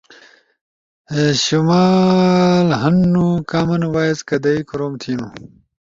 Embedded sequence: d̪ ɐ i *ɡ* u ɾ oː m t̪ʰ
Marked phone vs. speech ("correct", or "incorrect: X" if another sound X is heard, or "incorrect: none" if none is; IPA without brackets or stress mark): incorrect: k